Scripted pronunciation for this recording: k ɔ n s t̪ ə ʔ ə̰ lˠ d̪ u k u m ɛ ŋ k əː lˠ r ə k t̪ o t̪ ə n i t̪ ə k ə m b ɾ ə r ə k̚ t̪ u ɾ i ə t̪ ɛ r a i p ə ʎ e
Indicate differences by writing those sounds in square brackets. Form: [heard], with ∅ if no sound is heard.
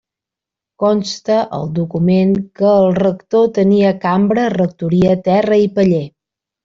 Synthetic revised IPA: k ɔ n s t̪ ə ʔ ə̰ lˠ d̪ u k u m [e] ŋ k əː lˠ r ə k t̪ o t̪ ə n i [∅] ə k [a] m b ɾ ə r ə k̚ t̪ u ɾ i ə t̪ ɛ r [ə] i p ə ʎ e